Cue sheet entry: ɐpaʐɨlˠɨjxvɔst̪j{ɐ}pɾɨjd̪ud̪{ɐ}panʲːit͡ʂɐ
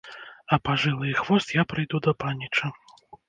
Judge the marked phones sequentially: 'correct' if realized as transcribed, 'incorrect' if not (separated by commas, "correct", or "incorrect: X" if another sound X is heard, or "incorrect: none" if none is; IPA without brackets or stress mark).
incorrect: a, correct